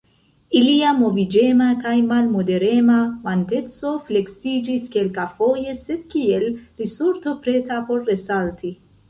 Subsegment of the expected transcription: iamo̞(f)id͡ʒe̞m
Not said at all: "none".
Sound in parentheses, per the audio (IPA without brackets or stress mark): v